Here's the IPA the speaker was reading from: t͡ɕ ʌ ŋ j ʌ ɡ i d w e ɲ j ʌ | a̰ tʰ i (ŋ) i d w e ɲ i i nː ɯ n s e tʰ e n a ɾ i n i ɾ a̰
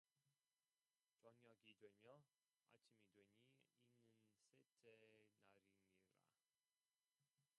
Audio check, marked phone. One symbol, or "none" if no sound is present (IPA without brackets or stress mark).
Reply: m